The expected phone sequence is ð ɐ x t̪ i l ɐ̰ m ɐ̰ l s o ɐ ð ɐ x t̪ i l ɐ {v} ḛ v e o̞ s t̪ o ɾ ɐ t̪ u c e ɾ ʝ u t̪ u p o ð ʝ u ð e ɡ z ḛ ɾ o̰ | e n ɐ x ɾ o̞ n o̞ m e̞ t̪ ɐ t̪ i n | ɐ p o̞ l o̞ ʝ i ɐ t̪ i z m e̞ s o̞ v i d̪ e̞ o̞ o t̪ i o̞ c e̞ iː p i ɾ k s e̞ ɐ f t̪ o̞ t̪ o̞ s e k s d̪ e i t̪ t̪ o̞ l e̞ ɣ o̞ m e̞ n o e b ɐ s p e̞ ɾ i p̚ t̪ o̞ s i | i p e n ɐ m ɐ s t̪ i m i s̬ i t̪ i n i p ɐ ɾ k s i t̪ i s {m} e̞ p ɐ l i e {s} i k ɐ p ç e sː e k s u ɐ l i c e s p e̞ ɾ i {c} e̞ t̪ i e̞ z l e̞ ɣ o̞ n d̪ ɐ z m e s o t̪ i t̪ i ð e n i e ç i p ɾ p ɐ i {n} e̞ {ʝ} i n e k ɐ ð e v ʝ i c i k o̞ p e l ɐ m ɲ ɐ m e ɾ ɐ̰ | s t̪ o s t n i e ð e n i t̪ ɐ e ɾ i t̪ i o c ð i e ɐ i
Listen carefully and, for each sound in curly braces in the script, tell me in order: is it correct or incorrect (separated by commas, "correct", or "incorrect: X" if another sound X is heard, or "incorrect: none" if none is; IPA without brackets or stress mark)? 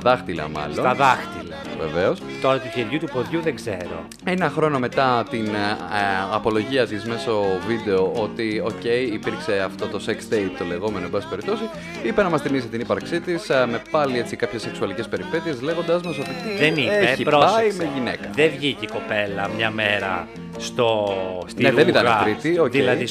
correct, correct, incorrect: t͡s, incorrect: p, incorrect: m, correct